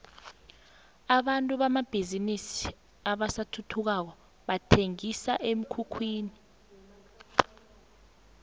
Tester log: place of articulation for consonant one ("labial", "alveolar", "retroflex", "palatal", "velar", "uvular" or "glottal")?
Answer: labial